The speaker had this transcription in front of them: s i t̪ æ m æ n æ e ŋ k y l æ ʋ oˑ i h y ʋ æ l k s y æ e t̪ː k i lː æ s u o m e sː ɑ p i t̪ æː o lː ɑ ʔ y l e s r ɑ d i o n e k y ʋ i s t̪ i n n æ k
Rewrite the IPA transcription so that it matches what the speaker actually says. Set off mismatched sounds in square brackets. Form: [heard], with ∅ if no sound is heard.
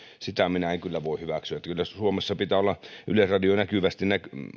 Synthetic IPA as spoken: s i t̪ æ m [i] n æ e ŋ k y [lː] æ ʋ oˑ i h y ʋ æ [∅] k s y æ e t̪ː k [y] lː æ s u o m e sː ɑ p i t̪ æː o lː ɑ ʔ y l e s r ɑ d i o n [æ] k y ʋ [æ] s t̪ i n n æ k